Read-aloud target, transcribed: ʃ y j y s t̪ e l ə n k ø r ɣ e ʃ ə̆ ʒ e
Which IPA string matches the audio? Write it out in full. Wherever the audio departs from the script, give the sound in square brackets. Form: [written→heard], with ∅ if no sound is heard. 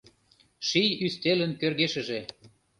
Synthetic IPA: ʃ [y→i] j y s t̪ e l ə n k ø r ɣ e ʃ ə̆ ʒ e